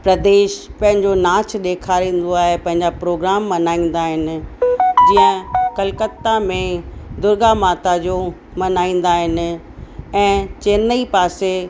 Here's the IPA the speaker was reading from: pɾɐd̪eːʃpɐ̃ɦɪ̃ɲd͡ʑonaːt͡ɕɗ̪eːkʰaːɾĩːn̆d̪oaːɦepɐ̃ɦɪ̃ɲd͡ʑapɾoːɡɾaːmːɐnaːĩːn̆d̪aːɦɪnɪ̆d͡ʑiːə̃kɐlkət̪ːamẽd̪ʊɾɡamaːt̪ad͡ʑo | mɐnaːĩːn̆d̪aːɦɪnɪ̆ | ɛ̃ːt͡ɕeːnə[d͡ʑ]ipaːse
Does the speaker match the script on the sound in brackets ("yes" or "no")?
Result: no